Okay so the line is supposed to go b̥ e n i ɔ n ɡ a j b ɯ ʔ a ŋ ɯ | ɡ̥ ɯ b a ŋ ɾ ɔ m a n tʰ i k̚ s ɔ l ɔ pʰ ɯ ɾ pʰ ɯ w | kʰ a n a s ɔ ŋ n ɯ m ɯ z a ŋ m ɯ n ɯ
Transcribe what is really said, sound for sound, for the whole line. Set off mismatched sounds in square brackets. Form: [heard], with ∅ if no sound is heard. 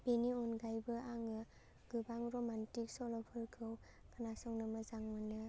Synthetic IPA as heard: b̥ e n i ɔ n ɡ a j b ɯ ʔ a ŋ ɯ | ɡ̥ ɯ b a ŋ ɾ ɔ m a n [t] i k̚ s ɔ l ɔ pʰ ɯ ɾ [kʰ] ɯ w | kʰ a n a s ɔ ŋ n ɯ m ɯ z a ŋ m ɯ n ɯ